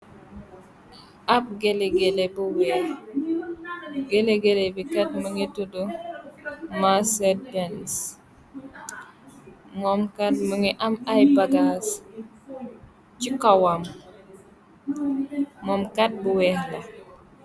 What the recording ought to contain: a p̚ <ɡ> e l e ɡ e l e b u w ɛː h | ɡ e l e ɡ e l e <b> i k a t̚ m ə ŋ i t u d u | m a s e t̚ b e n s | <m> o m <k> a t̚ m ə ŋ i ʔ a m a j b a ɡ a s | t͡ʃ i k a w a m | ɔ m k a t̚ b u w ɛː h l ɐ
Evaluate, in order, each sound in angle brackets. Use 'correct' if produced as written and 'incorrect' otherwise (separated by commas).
correct, correct, correct, correct